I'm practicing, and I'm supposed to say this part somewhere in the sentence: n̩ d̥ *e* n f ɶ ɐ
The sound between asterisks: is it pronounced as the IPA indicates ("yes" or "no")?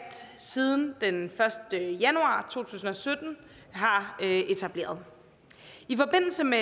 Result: yes